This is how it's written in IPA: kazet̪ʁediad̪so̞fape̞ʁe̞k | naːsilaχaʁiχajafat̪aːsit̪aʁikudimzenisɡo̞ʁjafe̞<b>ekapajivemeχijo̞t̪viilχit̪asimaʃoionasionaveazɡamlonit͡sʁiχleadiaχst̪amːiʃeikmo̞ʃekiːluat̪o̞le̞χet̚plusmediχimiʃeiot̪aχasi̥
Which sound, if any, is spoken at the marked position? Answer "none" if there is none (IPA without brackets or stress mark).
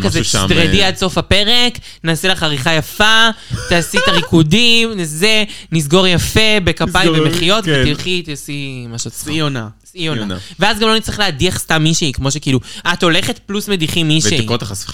b